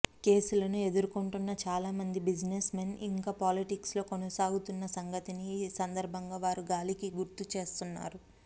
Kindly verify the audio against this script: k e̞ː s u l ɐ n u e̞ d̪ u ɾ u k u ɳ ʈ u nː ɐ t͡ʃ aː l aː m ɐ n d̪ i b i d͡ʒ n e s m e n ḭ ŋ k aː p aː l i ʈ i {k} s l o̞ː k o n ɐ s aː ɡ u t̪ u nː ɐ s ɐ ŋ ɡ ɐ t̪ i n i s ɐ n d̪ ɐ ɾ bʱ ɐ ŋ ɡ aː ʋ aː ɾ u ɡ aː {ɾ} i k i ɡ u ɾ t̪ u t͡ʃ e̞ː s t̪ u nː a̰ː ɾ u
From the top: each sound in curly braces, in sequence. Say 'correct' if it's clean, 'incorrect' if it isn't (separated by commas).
correct, incorrect